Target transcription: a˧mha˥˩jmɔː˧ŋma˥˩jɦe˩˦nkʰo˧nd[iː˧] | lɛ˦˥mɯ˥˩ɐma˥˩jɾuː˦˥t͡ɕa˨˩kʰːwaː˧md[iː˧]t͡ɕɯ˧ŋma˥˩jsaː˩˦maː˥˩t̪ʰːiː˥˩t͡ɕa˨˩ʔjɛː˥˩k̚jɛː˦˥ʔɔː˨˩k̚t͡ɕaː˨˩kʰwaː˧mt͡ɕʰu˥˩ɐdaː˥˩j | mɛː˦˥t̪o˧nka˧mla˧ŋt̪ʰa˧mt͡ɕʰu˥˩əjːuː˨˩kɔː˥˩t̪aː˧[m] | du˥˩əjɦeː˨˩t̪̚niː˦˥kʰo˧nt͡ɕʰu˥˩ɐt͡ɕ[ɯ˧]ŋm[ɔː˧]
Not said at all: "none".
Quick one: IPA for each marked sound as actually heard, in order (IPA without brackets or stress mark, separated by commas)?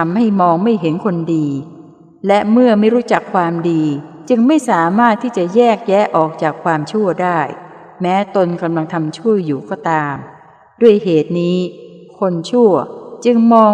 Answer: iː˧, iː˧, m, ɯ˧, ɔː˧